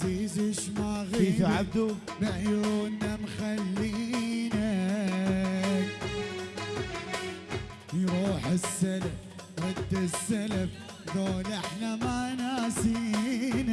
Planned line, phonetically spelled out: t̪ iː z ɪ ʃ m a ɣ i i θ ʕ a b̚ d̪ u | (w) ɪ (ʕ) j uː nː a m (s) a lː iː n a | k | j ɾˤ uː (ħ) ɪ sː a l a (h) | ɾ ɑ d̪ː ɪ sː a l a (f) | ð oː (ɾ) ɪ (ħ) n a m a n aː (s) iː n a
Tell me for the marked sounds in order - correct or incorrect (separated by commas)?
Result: incorrect, correct, incorrect, correct, incorrect, correct, incorrect, correct, correct